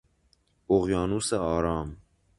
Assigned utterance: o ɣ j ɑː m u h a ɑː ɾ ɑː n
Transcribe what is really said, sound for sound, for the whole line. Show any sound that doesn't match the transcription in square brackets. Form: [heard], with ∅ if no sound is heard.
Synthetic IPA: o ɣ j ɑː [n] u [s] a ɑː ɾ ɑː [m]